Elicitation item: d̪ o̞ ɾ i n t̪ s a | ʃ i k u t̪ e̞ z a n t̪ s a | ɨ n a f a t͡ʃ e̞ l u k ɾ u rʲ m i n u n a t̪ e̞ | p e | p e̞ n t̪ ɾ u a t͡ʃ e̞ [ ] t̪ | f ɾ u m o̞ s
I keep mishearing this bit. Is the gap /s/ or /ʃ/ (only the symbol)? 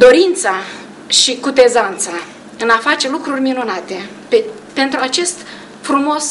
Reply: s